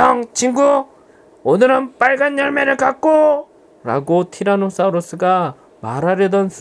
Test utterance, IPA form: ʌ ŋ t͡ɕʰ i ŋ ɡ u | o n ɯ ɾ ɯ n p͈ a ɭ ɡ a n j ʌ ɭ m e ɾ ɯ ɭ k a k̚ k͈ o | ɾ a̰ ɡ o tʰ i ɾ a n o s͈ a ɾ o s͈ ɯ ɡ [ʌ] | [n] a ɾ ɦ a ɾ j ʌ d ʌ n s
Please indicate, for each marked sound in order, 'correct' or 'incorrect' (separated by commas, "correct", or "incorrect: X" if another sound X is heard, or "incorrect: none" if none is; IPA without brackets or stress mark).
incorrect: a, incorrect: m